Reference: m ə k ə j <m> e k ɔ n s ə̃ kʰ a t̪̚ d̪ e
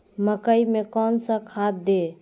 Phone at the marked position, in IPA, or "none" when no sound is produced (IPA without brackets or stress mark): m